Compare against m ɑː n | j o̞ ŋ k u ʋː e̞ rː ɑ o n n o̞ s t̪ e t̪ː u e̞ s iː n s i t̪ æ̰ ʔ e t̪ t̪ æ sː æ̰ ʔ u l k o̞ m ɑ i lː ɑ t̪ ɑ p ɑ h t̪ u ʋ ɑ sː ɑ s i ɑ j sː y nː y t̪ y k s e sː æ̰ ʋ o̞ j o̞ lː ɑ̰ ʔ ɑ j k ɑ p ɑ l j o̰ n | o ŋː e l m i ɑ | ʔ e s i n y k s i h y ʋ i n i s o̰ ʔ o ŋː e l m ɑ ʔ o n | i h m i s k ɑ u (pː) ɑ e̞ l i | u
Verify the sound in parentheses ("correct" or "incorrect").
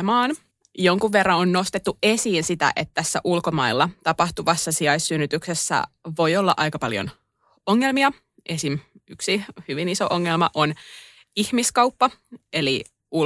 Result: correct